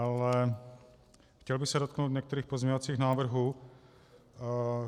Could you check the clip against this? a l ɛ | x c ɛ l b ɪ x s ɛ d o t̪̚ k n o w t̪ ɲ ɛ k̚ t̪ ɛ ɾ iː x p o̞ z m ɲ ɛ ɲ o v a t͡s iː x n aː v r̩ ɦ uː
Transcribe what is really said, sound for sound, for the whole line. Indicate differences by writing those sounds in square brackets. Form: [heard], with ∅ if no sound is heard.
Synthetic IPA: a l ɛ | x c ɛ l b ɪ x s ɛ d o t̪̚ k n o w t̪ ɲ ɛ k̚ t̪ ɛ ɾ iː x p o̞ z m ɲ ɛ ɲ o v a t͡s iː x n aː v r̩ ɦ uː